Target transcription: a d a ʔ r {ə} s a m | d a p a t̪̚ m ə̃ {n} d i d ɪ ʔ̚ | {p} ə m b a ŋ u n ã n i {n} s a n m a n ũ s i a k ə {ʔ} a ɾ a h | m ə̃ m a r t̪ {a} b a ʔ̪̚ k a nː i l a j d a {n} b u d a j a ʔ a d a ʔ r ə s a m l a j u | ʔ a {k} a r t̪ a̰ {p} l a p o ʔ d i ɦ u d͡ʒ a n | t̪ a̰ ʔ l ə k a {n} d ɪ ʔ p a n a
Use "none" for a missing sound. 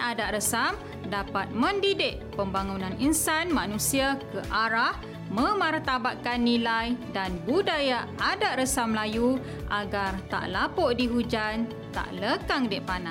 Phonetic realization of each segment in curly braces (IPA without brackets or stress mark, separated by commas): ə, n, p, n, ʔ, a, n, ɡ, ʔ, ŋ